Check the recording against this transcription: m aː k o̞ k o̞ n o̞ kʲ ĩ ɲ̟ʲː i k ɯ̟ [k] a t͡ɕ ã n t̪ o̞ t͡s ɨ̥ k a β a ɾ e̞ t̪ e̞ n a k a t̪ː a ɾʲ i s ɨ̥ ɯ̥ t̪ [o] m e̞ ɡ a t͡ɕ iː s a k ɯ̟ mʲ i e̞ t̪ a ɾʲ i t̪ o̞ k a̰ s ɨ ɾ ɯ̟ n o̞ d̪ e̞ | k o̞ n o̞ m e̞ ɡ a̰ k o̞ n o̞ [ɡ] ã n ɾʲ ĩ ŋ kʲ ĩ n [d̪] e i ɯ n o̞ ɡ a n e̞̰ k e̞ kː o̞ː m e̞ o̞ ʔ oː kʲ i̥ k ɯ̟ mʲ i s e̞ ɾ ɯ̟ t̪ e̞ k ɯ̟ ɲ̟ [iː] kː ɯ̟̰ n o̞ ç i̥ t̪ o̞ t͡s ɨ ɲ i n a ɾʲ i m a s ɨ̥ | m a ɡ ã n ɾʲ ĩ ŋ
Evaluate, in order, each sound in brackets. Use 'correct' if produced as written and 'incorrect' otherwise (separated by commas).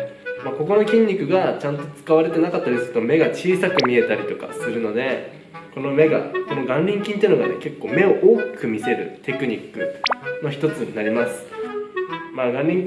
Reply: incorrect, correct, correct, incorrect, incorrect